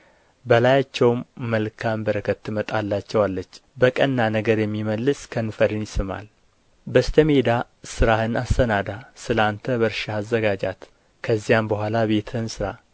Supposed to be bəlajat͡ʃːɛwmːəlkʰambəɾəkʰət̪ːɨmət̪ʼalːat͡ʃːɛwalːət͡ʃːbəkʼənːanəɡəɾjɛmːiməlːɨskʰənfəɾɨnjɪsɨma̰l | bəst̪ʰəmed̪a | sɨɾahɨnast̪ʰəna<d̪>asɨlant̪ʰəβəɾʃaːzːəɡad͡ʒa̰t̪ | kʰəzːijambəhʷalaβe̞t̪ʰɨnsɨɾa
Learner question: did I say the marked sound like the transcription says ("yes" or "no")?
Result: yes